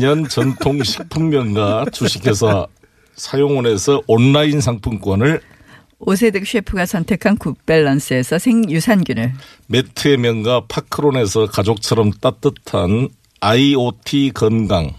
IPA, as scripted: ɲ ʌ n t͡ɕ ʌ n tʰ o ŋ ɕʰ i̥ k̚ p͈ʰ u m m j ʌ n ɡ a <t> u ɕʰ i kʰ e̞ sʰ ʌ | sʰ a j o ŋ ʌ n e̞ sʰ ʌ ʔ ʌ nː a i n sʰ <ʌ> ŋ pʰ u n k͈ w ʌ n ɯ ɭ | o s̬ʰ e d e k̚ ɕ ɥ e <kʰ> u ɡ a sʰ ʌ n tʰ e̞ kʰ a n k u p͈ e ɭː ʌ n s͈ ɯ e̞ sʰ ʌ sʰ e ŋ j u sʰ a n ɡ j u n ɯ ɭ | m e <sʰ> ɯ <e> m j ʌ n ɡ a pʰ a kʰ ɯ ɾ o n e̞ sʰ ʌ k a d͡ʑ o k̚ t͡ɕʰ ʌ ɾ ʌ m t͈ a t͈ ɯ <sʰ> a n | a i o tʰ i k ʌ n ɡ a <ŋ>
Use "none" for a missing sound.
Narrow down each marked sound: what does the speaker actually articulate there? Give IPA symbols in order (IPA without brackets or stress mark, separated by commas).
t͡ɕ, a, pʰ, tʰ, e, tʰ, ŋ